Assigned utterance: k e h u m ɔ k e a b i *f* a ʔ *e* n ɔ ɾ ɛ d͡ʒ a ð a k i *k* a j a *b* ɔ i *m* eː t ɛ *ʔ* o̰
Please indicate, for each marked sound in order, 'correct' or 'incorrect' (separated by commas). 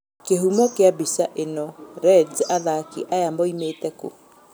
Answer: incorrect, correct, incorrect, incorrect, correct, incorrect